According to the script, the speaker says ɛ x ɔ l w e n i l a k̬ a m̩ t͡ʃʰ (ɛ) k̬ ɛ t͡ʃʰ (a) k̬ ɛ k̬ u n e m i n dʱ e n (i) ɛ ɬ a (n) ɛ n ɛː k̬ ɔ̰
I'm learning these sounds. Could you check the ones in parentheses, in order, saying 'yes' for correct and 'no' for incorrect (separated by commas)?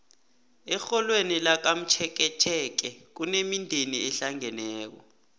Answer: yes, no, yes, no